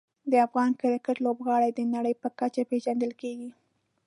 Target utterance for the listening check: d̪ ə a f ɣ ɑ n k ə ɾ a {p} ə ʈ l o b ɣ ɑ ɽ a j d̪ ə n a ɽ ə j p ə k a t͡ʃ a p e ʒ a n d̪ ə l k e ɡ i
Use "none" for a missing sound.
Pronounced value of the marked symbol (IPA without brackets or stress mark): k